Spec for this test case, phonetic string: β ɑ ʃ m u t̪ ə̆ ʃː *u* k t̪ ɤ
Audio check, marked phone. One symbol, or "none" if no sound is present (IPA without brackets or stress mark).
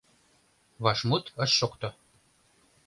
o